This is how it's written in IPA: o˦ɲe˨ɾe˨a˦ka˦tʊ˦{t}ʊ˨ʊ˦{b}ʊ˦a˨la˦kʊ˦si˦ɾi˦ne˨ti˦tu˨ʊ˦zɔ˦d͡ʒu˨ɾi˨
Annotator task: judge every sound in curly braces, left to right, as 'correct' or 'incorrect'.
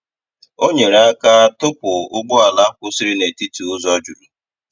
incorrect: p, incorrect: ɡ͡b

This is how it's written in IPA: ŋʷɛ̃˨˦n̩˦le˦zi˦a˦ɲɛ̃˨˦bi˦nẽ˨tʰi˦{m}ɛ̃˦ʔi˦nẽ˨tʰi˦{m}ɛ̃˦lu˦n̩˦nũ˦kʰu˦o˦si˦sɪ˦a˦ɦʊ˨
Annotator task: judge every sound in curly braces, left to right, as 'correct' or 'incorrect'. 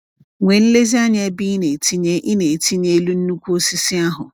incorrect: ɲ, incorrect: ɲ

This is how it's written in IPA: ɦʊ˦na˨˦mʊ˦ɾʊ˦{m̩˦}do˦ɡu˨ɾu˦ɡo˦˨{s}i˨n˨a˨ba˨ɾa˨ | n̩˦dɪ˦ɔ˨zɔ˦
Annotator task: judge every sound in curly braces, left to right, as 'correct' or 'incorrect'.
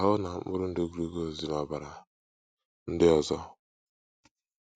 incorrect: n̩˦, incorrect: z

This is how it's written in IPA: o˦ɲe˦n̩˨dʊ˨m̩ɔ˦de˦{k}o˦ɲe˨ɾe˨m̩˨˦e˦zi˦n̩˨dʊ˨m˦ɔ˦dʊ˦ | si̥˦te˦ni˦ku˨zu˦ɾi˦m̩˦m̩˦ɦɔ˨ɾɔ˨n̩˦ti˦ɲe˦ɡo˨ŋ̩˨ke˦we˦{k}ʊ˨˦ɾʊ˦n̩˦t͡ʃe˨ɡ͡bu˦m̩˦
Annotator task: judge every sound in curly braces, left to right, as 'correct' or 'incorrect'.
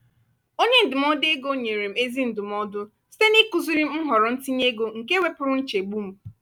incorrect: ɡ, incorrect: p

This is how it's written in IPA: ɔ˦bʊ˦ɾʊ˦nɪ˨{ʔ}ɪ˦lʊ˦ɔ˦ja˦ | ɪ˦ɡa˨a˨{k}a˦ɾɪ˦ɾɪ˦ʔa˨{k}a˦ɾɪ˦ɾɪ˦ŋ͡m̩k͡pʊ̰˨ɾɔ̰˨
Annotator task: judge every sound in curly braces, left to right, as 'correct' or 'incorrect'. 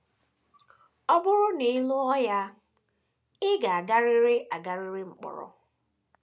incorrect: none, incorrect: ɡ, incorrect: ɡ

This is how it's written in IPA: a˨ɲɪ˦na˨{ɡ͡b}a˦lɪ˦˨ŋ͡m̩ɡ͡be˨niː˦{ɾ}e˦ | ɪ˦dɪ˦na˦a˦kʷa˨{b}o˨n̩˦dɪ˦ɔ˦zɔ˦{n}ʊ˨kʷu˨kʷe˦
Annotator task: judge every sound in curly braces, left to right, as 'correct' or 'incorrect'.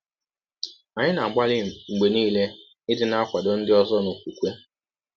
correct, incorrect: l, incorrect: d, correct

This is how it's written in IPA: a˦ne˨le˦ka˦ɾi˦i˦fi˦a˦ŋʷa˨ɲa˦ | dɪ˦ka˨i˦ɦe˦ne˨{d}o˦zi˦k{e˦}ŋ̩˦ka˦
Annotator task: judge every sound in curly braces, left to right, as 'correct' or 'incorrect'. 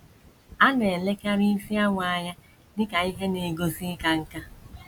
incorrect: ɡ, incorrect: a˦

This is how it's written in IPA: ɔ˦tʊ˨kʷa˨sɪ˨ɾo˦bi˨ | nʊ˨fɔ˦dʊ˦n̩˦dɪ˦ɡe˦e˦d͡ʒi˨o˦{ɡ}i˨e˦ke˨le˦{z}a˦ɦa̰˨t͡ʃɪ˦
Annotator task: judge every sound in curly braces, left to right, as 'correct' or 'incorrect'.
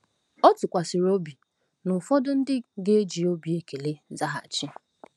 incorrect: b, correct

